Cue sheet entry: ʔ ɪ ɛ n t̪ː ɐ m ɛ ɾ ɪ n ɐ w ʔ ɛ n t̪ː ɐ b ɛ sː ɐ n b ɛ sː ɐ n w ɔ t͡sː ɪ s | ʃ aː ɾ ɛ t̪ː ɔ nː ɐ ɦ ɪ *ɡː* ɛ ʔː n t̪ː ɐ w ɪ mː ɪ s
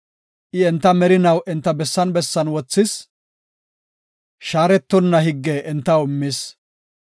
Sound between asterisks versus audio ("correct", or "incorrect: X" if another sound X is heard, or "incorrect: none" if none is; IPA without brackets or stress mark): correct